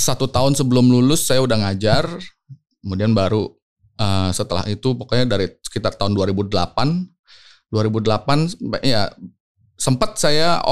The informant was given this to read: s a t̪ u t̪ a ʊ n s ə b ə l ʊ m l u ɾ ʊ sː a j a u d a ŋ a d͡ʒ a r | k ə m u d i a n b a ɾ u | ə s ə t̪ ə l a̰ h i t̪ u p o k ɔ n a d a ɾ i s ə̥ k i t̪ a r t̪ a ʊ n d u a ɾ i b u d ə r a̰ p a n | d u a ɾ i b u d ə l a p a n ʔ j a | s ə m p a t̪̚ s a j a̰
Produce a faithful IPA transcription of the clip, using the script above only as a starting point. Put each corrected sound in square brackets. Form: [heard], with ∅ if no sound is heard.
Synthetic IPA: s a t̪ u t̪ a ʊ n s ə b ə l ʊ m l u [l] ʊ sː a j a u d a ŋ a d͡ʒ a r | k ə m u d i a n b a ɾ u | ə s ə t̪ ə l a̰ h i t̪ u p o k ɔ [ɲ] a d a ɾ i s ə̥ k i t̪ a r t̪ a ʊ n d u a ɾ i b u d ə [l] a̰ p a n | d u a ɾ i b u d ə l a p a n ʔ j a | s ə m p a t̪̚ s a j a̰